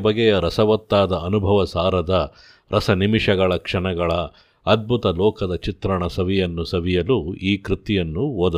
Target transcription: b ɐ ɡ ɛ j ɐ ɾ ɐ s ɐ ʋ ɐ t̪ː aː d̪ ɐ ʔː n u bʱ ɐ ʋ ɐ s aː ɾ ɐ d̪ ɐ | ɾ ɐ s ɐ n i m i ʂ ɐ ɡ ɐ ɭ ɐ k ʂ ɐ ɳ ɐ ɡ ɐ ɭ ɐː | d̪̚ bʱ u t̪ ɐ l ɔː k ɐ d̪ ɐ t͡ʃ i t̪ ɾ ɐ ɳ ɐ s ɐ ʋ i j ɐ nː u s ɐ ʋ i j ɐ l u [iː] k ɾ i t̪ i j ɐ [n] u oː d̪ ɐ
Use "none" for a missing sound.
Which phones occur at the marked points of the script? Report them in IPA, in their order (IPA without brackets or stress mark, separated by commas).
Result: iː, nː